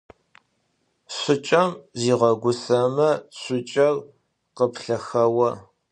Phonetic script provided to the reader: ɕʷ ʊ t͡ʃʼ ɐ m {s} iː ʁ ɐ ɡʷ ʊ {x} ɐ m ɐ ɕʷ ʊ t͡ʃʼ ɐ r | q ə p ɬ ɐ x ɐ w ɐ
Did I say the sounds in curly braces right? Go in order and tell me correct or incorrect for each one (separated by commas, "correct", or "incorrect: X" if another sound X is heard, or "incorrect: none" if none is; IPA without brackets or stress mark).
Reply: incorrect: z, incorrect: s